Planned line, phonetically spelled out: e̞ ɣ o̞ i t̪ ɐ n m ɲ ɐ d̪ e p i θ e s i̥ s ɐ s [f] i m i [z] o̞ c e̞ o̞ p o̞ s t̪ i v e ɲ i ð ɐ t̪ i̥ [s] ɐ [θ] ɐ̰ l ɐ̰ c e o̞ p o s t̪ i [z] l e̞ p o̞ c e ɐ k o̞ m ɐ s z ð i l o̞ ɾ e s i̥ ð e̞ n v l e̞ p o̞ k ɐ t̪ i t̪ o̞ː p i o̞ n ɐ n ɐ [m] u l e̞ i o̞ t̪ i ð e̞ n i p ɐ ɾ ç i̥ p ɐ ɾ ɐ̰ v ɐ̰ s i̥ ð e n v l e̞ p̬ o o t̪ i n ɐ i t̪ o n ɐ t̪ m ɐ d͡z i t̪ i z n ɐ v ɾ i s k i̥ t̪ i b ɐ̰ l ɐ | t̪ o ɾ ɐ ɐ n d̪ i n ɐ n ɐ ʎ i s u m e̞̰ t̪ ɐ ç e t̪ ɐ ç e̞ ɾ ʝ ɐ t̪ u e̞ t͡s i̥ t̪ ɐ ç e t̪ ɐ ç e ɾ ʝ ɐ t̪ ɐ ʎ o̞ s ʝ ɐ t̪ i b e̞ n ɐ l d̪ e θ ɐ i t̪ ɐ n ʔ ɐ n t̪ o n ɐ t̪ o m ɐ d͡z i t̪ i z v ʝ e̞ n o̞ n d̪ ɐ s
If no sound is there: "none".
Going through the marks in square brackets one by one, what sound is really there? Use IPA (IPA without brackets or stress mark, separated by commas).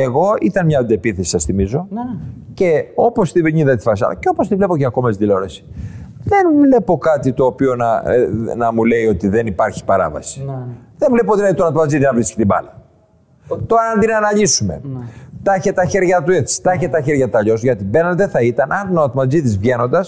θ, z, f, s, v, m